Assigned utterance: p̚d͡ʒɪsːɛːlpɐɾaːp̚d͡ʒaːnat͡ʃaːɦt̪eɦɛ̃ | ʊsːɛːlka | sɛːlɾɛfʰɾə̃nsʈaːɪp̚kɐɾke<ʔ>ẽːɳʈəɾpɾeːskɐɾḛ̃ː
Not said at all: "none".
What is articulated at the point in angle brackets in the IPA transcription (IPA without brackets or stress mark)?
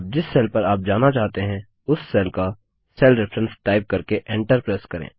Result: ʔ